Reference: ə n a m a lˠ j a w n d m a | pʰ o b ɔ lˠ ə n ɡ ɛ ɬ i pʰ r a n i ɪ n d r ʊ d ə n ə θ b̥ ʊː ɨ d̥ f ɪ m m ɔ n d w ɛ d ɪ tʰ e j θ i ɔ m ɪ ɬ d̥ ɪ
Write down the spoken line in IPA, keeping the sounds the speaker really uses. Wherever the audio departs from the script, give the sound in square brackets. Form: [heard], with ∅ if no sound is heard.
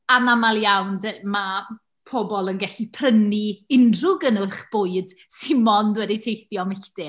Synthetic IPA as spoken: [a] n a m a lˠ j a w n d m a | pʰ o b ɔ lˠ ə n ɡ ɛ ɬ i pʰ r [ə] n i ɪ n d r ʊ [ɡ] ə n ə [χ] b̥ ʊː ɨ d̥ [s] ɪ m m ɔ n d w ɛ d [i] tʰ e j θ [j] ɔ m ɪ ɬ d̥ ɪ